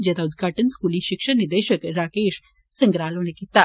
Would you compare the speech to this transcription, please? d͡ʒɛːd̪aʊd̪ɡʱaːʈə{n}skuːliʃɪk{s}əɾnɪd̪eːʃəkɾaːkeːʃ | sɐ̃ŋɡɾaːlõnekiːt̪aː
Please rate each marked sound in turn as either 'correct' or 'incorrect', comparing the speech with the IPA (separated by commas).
correct, incorrect